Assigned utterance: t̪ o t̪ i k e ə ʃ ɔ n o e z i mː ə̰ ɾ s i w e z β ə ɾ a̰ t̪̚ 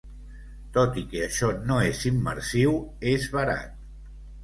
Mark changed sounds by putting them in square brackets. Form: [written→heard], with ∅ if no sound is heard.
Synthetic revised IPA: t̪ o t̪ i k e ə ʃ ɔ n o e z i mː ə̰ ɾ s i w e z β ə ɾ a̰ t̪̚